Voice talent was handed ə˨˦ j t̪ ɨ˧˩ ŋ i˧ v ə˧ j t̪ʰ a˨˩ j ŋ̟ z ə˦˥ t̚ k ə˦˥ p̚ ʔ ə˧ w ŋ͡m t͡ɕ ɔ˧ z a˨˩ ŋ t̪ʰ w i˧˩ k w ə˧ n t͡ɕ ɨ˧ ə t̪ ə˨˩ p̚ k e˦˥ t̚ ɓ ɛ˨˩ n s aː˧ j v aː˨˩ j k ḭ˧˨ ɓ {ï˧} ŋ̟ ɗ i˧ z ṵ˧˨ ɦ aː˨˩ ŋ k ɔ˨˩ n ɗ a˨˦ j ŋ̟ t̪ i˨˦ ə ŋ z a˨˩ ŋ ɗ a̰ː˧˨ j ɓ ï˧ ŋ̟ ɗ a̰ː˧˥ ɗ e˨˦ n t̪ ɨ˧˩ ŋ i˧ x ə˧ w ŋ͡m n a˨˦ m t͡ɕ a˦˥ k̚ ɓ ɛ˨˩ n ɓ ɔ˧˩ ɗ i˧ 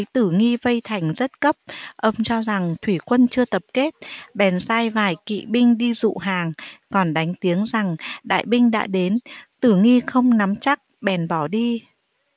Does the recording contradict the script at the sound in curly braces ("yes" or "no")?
no